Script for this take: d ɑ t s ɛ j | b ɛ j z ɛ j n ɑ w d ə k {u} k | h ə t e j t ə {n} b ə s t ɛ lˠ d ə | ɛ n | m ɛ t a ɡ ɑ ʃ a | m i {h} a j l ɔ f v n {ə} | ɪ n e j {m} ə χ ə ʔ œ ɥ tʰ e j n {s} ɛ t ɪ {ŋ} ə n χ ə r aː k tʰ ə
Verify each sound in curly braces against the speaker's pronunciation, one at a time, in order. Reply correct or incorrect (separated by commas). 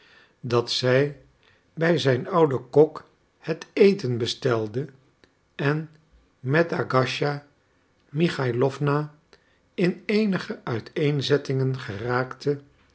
incorrect, correct, incorrect, incorrect, incorrect, incorrect, correct